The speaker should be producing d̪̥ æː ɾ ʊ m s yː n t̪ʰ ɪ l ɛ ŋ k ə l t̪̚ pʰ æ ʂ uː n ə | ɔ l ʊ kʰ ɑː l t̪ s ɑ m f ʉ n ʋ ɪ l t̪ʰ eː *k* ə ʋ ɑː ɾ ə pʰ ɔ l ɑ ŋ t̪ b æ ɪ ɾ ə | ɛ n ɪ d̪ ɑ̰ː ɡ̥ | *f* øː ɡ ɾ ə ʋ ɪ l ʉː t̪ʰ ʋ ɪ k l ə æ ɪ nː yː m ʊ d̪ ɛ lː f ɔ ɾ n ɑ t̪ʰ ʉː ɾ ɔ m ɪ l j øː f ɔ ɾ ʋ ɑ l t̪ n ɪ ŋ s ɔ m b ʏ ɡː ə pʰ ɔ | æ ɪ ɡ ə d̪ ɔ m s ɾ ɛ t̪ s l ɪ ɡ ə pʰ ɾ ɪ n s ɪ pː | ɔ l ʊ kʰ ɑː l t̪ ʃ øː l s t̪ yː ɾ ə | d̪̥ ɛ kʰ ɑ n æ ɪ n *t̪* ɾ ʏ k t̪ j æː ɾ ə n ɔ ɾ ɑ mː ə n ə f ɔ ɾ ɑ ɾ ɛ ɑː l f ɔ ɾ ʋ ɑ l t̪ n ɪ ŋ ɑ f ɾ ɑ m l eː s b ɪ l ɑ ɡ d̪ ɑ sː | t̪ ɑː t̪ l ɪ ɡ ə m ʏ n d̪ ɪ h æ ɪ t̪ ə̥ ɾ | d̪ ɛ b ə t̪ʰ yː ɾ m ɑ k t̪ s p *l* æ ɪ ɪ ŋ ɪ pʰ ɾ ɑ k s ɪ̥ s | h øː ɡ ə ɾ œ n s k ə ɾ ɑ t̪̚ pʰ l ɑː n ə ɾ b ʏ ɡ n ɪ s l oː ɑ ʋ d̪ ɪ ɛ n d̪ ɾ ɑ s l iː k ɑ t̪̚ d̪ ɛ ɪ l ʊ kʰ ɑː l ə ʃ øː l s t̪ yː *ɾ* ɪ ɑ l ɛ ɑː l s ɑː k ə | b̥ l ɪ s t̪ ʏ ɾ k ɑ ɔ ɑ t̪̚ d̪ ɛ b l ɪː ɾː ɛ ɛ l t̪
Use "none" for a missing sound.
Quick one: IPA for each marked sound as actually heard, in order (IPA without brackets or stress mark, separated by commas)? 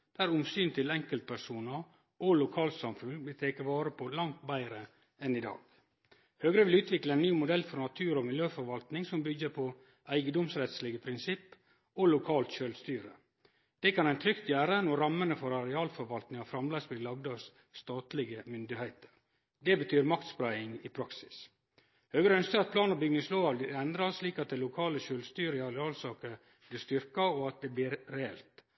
k, h, t̪ʰ, ɾ, ɾ